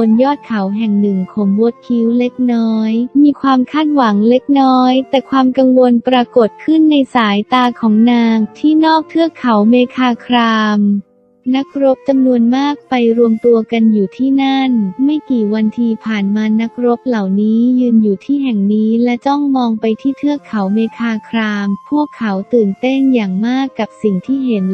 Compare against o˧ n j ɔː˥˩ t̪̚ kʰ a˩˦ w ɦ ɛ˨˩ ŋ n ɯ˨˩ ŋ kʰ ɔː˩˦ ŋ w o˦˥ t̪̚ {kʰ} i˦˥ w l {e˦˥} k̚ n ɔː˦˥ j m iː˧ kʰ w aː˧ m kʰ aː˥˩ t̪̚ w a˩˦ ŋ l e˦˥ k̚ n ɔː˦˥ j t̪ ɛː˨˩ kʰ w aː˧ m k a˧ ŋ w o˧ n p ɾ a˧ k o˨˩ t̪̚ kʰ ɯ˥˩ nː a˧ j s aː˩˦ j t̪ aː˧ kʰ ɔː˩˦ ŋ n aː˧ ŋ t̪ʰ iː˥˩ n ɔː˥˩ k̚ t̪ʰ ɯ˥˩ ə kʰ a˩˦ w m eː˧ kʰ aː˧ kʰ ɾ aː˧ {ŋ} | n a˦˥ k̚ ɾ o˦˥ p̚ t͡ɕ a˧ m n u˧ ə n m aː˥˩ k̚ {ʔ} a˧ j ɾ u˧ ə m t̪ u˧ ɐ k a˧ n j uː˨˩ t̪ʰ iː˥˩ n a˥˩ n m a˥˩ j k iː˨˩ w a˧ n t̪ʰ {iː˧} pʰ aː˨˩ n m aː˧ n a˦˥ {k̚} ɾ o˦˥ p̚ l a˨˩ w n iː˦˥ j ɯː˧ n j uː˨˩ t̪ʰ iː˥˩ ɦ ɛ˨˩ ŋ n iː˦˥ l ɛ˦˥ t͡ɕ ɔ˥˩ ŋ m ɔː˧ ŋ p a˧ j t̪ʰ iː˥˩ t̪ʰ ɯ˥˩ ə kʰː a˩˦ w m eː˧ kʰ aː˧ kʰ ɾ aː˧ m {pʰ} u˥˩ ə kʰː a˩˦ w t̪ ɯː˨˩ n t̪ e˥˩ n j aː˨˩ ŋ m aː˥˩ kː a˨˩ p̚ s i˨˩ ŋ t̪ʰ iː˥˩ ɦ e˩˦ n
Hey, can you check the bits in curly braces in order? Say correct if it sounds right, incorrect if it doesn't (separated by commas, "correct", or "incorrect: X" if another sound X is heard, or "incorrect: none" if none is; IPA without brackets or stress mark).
correct, correct, incorrect: m, incorrect: p, correct, correct, correct